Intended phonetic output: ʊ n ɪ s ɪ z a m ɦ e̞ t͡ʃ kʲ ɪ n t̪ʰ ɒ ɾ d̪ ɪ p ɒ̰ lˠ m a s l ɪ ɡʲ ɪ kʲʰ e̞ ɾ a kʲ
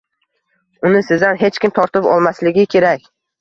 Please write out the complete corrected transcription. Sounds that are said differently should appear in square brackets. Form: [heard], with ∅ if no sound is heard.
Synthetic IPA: ʊ n ɪ s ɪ z a [n] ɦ e̞ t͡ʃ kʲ ɪ [m] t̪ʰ ɒ ɾ [t̪] ɪ p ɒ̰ lˠ m a s l ɪ ɡʲ ɪ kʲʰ e̞ ɾ a kʲ